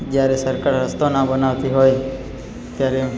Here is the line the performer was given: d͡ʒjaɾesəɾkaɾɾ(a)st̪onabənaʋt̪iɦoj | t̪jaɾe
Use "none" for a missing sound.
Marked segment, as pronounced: ə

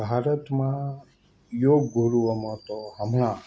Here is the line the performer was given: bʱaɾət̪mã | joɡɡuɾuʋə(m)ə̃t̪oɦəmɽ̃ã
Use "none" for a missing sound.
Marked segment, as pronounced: m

